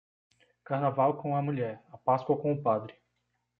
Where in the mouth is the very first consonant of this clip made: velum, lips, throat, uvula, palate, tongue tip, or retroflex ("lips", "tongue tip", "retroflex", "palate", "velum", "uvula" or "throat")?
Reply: velum